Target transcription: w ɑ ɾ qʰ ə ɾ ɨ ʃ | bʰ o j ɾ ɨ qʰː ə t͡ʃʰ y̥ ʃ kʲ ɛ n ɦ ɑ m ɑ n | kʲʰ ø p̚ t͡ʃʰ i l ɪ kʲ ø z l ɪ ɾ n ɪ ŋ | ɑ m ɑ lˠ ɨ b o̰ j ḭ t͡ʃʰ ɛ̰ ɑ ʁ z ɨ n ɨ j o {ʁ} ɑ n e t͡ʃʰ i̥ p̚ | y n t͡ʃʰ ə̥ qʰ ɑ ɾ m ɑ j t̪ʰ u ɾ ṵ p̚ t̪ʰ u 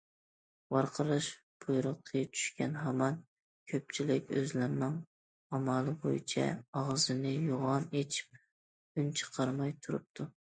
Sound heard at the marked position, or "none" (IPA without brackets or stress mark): ʁ